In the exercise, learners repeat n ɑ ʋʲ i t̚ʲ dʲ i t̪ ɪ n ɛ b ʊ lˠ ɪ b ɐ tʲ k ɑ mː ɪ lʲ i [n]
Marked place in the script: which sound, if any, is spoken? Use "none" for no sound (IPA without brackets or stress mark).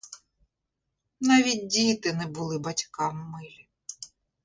none